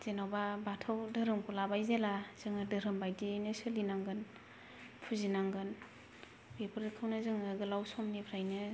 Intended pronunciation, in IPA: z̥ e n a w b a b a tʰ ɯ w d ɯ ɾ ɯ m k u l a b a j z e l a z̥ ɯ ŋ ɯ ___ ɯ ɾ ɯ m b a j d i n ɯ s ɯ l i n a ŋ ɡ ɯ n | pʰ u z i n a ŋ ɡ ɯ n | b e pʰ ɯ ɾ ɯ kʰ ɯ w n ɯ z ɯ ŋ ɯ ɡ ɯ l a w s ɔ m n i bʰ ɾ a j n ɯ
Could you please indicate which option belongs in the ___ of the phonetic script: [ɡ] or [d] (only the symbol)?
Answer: d